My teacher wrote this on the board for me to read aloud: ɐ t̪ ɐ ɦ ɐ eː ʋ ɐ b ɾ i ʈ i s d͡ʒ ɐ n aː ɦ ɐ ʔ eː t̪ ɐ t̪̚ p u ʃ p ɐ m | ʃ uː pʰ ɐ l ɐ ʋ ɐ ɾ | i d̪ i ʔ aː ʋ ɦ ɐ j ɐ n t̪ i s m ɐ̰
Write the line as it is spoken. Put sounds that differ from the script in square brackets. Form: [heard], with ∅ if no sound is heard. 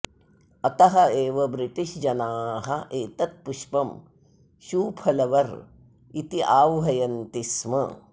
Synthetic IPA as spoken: ɐ t̪ ɐ ɦ ɐ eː ʋ ɐ b ɾ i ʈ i [ʃ] d͡ʒ ɐ n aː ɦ ɐ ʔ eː t̪ ɐ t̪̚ p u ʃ p ɐ m | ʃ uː pʰ ɐ l ɐ ʋ ɐ ɾ | i [t̪] i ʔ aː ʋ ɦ ɐ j ɐ n t̪ i s m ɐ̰